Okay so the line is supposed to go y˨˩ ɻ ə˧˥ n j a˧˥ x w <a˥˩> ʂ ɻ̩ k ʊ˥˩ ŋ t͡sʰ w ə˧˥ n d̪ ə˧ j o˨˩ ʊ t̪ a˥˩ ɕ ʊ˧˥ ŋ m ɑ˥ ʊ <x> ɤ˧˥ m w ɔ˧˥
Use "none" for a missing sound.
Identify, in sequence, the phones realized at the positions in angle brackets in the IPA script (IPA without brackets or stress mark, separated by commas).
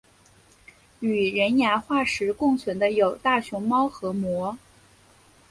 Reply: a˥˩, x